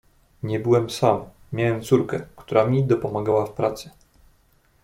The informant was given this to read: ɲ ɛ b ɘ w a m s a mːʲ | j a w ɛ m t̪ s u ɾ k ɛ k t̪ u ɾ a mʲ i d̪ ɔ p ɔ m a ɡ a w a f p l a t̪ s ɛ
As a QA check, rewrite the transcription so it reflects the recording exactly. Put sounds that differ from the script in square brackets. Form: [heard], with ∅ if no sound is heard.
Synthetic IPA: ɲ ɛ b ɘ w [ɛ] m s a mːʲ | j a w ɛ m t̪ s u ɾ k ɛ k t̪ u ɾ a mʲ i d̪ ɔ p ɔ m a ɡ a w a f p [ɾ] a t̪ s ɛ